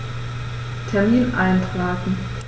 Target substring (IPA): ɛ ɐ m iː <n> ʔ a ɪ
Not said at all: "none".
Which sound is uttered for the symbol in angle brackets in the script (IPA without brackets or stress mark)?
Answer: n